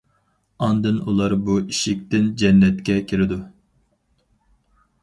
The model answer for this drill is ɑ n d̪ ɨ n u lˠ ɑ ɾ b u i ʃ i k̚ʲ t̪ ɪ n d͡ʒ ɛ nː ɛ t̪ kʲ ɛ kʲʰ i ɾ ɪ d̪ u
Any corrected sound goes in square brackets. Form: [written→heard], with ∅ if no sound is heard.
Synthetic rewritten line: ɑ n d̪ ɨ n u lˠ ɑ ɾ b u i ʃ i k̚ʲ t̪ ɪ n d͡ʒ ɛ nː ɛ t̪ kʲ ɛ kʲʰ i ɾ ɪ d̪ u